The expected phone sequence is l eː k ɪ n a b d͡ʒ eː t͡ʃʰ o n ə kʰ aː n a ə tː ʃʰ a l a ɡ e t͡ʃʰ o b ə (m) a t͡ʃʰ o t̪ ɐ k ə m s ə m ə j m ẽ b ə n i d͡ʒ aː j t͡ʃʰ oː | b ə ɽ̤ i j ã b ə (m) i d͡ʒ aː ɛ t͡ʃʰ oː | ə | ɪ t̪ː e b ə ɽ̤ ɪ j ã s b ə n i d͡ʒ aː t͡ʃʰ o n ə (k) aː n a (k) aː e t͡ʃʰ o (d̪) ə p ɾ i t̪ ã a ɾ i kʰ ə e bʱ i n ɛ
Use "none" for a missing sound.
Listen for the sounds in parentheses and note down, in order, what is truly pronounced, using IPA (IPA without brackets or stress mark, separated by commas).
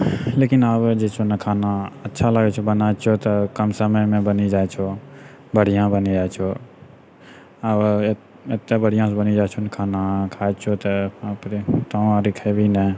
n, n, kʰ, kʰ, t̪